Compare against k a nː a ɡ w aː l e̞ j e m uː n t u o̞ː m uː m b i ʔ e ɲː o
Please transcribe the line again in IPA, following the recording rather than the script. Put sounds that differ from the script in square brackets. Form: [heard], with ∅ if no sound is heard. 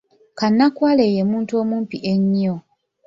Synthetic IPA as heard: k a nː a [k] w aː l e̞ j e m uː n t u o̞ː m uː m [p] i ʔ e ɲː o